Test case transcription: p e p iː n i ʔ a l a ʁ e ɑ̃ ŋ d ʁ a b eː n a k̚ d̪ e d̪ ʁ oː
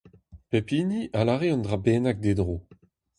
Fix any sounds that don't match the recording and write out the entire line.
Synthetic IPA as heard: p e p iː n i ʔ a l a ʁ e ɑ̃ n d ʁ a b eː n a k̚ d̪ e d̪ ʁ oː